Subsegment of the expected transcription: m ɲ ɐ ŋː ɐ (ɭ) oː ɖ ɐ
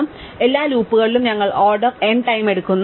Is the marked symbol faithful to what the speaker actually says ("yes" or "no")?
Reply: yes